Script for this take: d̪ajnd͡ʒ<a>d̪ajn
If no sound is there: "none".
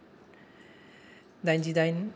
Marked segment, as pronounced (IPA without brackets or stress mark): i